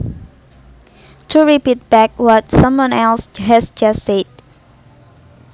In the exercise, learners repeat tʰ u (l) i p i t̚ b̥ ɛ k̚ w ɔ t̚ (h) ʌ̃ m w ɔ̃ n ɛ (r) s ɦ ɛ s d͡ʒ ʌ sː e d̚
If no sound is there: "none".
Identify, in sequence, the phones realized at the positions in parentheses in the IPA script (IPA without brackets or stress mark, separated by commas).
ɹ, s, l